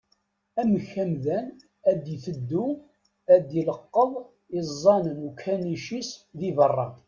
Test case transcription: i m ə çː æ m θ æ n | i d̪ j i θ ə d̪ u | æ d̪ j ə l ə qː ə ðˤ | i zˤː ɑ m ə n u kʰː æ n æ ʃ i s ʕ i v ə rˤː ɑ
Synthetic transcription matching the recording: æ m ə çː æ m ð æ n | æ d̪ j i θ ə d̪ː u | æ d̪ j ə l ə qː ə ðˤ | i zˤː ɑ n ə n u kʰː æ n i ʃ i s ð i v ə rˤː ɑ

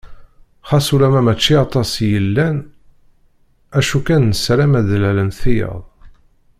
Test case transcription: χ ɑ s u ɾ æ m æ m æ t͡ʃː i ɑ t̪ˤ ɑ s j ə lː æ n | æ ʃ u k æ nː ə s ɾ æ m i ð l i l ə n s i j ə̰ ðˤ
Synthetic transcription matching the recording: χ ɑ s u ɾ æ m æ m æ t͡ʃː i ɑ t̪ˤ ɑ s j ə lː æ n | æ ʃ u k æ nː ə s ɾ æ m æ ð l æ l ə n θ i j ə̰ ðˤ

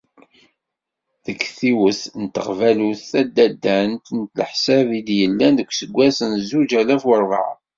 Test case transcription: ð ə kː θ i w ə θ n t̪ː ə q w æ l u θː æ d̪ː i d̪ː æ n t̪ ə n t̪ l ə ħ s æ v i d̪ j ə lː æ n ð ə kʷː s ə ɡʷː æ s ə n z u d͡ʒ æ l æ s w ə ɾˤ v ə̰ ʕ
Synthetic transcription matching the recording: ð ə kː θ i w ə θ n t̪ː ə q v æ l u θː æ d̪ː æ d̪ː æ n t̪ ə n t̪ l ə ħ s æ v i d̪ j ə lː æ n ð ə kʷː s ə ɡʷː æ s ə n z u d͡ʒ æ l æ f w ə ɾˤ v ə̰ ʕ

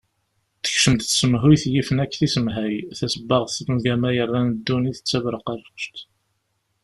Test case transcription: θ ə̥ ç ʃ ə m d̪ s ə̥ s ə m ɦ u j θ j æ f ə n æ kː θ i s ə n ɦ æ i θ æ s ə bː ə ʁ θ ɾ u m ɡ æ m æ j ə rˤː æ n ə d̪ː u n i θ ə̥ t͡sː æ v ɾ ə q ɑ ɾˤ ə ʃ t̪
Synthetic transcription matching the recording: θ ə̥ ç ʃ ə m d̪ θ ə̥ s ə m ɦ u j θ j i f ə n æ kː θ i s ə m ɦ æ j θ æ s ə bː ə ʁ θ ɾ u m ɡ æ m æ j ə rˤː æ n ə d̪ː u n i θ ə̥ t͡sː æ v ɾ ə q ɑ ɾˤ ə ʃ t̪

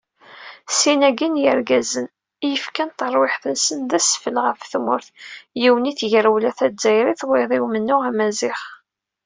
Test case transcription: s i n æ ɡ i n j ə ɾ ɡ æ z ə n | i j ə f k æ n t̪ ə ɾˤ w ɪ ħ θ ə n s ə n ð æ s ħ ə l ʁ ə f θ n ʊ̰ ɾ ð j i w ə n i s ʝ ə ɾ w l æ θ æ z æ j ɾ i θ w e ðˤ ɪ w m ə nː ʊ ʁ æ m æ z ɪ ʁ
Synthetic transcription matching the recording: s i n æ ɡ i n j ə ɾ ɡ æ z ə n | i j ə f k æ n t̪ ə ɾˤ w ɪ ħ θ ə n s ə n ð æ s f ə l ʁ ə f θ m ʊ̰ ɾ θ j i w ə n i θ ʝ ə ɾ w l æ θ æ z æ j ɾ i θ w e ðˤ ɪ w m ə nː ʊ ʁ æ m æ z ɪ χ

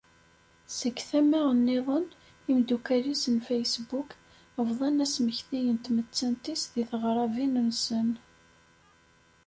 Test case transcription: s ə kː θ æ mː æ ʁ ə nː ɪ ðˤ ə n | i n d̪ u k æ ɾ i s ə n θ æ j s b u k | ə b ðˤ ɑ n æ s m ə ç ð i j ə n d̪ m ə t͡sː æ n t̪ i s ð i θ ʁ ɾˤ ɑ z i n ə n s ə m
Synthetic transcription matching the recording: s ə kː θ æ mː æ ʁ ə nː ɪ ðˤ ə n | i m d̪ u k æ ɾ i s ə n f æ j s b u k | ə v ðˤ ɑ n æ s m ə ç θ i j ə n t̪ m ə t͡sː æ n t̪ i s ð i θ ʁ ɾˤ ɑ v i n ə n s ə n

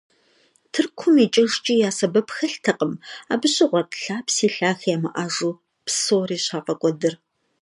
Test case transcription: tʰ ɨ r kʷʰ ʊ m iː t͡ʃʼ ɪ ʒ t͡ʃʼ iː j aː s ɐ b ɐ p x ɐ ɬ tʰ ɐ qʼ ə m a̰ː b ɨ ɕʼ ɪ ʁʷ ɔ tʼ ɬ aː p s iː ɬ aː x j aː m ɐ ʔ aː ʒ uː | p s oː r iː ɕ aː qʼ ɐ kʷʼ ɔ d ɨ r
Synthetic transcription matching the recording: tʰ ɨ r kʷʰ ʊ m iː t͡ʃʼ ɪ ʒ t͡ʃʼ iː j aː s ɐ b ɐ p x ɐ ɬ tʰ ɐ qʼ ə m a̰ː b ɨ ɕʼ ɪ ʁʷ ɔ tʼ ɬ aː p s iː ɬ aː x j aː m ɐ ʔ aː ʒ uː | p s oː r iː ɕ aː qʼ ɐ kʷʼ ɔ d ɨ r

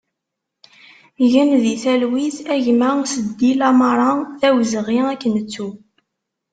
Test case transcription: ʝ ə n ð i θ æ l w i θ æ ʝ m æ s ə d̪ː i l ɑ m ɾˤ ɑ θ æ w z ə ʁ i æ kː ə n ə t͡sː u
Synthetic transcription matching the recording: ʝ ə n ð i θ æ l w i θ æ ʝ m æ s ə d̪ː i l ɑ m ɾˤ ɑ θ æ w z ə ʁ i æ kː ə n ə t͡sː u

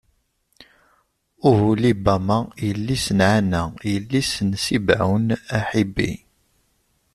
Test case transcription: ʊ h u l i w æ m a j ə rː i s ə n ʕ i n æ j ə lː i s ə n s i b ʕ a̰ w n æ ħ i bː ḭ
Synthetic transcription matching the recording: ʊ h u l i b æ m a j ə lː i s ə n ʕ a n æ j ə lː i s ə n s i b ʕ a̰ w n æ ħ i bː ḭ

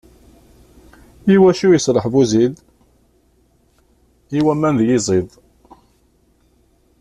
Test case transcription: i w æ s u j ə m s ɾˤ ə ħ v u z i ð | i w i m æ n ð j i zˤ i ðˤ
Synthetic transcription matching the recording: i w æ ʃ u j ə s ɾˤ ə ħ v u z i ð | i w æ m æ n ð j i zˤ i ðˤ

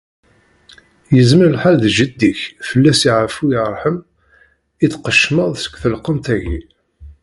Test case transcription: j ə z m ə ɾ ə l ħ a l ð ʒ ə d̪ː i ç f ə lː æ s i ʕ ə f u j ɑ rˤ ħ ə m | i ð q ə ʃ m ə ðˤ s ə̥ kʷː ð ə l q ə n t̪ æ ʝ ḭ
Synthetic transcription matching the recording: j ə z m ə ɾ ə l ħ a l ð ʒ ə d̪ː i ç f ə lː æ s i ʕ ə f u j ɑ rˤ ħ ə m | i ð q ə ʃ m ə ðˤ s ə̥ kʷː θ ə l q ə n t̪ æ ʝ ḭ

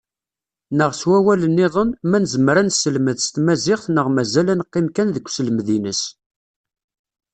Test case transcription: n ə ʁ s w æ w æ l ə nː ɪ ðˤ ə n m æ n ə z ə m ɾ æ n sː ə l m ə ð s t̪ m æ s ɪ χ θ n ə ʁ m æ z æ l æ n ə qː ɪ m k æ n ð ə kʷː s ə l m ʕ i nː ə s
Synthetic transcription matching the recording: n ə ʁ s w æ w æ l ə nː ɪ ðˤ ə n m æ n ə z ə m ɾ æ n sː ə l m ə ð s t̪ m æ z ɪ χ θ n ə ʁ m æ z æ l æ n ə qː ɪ m k æ n ð ə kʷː s ə l m ð i n ə s

